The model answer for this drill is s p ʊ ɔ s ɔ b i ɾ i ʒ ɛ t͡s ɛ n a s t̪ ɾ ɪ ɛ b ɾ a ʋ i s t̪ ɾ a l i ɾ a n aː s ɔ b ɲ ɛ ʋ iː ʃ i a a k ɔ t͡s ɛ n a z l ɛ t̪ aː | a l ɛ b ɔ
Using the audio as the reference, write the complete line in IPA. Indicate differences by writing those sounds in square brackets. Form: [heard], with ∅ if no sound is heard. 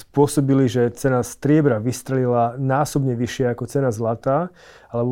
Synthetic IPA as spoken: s p ʊ ɔ s ɔ b i [l] i ʒ ɛ t͡s ɛ n a s t̪ ɾ ɪ ɛ b ɾ a ʋ i s t̪ ɾ [ɛ] l i [l] a n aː s ɔ b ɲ ɛ ʋ [i] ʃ [ɪ] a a k ɔ t͡s ɛ n a z l [a] t̪ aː | a l ɛ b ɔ